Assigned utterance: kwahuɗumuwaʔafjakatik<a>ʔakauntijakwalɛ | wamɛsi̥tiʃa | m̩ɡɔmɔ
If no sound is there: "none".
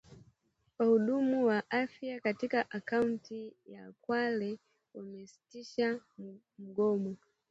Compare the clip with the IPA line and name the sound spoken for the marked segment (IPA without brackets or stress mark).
a